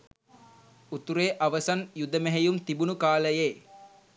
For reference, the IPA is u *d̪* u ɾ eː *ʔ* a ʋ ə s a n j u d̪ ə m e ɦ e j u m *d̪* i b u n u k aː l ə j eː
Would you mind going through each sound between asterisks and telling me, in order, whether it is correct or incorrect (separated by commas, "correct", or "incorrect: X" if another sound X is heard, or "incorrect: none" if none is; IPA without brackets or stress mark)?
incorrect: t̪, correct, incorrect: t̪